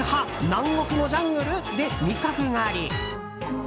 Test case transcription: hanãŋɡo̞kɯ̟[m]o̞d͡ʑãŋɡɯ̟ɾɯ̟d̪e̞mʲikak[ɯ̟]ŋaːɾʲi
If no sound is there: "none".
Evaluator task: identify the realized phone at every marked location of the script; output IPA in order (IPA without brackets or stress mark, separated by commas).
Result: n, ɯ̟